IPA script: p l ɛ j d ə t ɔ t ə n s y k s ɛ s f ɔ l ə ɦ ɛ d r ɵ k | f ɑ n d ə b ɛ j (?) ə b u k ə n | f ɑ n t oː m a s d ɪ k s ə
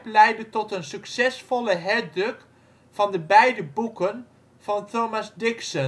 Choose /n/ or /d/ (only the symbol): d